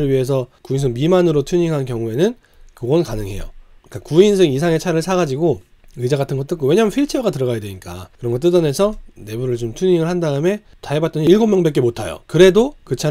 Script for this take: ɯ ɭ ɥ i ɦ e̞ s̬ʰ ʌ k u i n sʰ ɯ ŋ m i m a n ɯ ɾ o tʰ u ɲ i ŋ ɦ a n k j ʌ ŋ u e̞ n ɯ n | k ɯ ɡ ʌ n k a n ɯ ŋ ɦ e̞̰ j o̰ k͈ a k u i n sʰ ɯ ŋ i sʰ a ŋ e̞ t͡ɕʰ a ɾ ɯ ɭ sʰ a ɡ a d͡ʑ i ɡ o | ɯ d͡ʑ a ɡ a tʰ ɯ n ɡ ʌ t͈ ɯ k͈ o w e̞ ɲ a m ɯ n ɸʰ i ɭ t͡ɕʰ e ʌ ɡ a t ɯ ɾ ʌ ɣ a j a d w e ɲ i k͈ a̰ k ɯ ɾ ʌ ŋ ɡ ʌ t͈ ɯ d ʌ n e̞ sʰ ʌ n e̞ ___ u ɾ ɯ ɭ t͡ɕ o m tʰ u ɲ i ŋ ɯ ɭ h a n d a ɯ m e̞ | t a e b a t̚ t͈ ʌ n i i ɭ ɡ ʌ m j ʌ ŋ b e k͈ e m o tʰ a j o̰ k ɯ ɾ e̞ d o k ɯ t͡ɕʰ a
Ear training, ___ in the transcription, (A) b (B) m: A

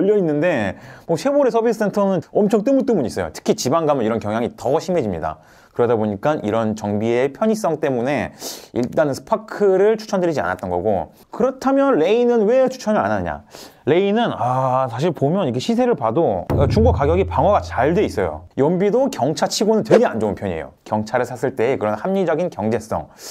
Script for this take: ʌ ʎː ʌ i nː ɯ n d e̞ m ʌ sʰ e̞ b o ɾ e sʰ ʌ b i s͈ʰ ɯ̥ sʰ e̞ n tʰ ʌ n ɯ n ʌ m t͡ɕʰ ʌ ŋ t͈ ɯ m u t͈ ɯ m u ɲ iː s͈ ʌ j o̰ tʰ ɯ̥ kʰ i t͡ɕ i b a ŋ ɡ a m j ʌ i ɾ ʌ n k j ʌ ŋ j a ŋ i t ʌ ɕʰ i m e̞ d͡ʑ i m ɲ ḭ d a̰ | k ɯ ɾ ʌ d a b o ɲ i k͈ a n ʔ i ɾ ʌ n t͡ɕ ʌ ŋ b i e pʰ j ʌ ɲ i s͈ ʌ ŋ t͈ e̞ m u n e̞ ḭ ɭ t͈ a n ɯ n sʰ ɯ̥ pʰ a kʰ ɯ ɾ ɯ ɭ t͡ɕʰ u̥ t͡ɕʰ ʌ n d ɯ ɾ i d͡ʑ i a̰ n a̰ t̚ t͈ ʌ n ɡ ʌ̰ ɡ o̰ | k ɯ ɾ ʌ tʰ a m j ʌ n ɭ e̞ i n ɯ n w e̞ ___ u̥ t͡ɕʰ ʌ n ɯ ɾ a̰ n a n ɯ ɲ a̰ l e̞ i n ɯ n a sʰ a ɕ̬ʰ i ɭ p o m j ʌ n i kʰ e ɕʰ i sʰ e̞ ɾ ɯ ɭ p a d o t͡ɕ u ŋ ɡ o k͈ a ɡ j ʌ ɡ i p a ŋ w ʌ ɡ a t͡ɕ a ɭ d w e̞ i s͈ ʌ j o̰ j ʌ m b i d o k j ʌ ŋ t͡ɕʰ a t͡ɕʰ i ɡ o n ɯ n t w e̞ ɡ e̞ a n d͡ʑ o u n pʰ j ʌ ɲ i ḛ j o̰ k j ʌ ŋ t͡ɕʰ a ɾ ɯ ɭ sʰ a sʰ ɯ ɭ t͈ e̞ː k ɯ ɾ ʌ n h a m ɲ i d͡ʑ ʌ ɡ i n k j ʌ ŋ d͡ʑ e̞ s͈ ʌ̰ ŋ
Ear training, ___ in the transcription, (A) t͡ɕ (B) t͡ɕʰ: B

